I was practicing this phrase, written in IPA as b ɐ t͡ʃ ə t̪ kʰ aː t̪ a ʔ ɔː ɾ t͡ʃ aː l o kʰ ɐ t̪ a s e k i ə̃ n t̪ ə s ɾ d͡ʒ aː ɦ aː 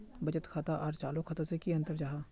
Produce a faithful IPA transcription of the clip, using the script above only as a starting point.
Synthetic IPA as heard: b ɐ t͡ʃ ə t̪ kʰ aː t̪ a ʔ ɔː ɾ t͡ʃ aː l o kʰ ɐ t̪ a s e k i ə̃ n t̪ ə ɾ d͡ʒ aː ɦ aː